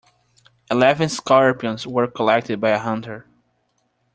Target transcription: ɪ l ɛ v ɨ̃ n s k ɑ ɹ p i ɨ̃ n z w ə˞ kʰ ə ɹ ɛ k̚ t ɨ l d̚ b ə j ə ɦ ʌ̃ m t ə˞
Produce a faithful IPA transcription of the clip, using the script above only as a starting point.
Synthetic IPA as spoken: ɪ l ɛ v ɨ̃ n s k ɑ ɹ p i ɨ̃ n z w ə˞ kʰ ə l ɛ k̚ t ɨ d̚ b a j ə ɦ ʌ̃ n t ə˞